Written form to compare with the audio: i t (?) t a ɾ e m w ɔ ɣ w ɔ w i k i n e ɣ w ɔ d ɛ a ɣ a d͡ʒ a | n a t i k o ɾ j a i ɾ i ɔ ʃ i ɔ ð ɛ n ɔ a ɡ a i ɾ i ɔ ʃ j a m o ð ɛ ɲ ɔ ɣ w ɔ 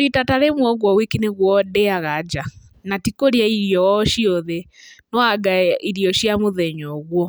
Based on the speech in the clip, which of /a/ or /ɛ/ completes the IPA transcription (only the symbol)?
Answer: a